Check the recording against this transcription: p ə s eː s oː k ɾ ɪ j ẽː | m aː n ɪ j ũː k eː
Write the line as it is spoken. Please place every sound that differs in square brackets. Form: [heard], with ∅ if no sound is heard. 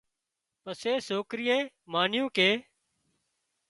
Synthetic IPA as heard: p ə s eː s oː k ɾ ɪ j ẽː | m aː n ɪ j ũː k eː